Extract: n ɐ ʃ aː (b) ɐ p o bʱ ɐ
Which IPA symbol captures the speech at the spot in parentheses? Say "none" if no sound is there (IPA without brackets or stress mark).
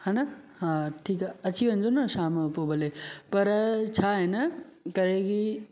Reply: m